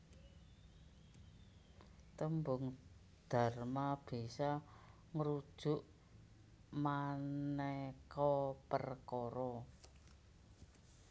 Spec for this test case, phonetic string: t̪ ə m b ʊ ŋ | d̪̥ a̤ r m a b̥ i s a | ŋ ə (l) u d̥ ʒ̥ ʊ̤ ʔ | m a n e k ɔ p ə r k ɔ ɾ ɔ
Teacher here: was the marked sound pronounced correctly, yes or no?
no